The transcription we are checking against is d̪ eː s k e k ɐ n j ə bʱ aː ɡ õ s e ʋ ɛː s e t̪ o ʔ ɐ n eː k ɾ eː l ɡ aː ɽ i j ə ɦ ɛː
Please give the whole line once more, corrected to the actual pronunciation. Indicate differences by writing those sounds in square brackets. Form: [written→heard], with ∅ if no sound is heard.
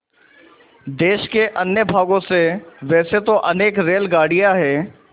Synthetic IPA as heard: d̪ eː [s→ʃ] k e [k→ʔ] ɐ n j ə bʱ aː ɡ õ s e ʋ ɛː s e t̪ o ʔ ɐ n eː k ɾ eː l ɡ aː ɽ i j [ə→a] ɦ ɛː